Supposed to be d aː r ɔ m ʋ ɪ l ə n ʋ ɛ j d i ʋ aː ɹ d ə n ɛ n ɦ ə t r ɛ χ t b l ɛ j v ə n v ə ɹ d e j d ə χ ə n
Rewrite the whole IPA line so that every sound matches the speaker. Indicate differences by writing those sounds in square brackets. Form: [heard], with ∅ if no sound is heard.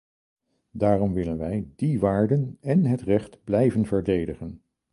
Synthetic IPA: d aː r ɔ m ʋ ɪ l ə n ʋ ɛ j d i ʋ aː ɹ d ə n ɛ n ɦ ə t r ɛ χ t b l ɛ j v ə n v ə ɹ d e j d ə χ ə n